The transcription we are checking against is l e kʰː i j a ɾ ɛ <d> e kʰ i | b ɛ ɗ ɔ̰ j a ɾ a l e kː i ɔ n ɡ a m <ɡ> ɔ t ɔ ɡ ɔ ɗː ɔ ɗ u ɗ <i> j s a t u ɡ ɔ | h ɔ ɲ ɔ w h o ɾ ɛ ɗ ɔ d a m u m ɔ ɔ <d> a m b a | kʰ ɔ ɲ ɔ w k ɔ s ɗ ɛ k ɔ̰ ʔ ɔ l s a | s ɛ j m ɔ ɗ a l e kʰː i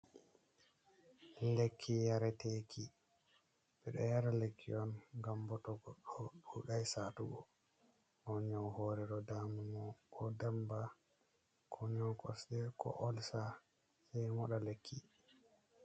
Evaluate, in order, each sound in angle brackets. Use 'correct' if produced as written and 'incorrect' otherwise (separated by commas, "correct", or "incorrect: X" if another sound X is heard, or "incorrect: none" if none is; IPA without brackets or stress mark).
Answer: incorrect: t, incorrect: b, incorrect: a, correct